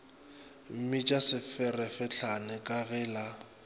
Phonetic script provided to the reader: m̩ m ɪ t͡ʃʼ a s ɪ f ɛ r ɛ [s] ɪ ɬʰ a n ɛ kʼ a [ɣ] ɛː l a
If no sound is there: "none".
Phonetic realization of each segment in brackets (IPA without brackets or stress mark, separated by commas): f, ɣ